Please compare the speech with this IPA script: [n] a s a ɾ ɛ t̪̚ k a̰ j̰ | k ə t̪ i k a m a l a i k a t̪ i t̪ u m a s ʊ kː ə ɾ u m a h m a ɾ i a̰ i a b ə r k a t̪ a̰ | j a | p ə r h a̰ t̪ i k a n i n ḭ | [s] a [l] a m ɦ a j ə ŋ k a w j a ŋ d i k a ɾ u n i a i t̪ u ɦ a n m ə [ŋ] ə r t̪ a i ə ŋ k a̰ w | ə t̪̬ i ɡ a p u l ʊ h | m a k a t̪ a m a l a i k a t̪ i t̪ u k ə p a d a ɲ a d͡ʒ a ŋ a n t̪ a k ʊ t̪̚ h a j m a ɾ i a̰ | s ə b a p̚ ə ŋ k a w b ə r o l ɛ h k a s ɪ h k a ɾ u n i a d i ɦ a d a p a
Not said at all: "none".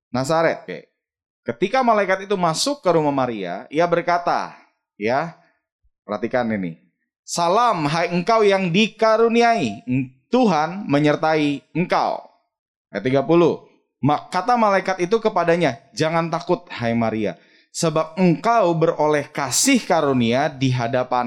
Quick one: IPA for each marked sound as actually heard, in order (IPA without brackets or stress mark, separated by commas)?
n, s, l, ɲ